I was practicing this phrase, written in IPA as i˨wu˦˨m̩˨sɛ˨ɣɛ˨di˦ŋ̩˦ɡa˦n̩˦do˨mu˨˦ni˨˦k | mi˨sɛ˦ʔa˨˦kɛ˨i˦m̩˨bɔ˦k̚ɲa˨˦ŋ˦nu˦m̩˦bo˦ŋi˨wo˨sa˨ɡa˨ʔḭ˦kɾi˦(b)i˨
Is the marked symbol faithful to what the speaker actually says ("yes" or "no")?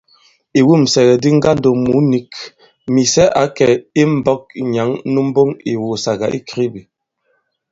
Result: yes